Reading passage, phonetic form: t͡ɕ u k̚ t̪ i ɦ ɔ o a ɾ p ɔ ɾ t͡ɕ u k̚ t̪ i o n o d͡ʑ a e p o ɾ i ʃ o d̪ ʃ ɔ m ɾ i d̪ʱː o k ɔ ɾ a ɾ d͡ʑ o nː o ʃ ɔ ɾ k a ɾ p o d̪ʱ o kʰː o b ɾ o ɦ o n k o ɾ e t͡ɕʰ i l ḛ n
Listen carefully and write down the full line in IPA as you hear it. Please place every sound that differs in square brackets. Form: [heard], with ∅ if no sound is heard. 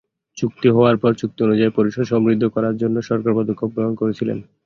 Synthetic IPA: t͡ɕ u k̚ t̪ i ɦ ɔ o a ɾ p ɔ ɾ t͡ɕ u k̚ t̪ i o n [u] d͡ʑ a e p o ɾ i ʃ o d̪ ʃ ɔ m ɾ i d̪ʱː o k ɔ ɾ a ɾ d͡ʑ o nː o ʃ ɔ ɾ k a ɾ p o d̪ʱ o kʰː o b ɾ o ɦ o n k o ɾ e t͡ɕʰ i l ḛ n